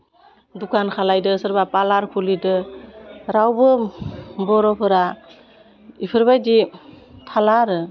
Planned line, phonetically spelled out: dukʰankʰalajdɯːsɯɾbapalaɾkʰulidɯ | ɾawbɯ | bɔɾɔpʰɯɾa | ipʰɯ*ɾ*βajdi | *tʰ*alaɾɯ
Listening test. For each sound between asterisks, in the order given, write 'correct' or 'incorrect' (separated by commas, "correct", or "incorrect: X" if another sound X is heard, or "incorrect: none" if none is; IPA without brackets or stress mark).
correct, correct